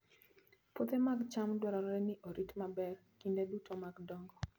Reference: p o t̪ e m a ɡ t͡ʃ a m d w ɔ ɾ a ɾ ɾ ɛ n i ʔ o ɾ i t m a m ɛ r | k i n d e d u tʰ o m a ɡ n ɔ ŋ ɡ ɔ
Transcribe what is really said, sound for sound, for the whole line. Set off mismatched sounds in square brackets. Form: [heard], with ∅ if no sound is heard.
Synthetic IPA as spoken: p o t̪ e m a ɡ t͡ʃ a m d w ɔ ɾ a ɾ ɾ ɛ n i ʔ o ɾ i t m a [b] ɛ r | k i n d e d u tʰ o m a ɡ [d] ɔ ŋ ɡ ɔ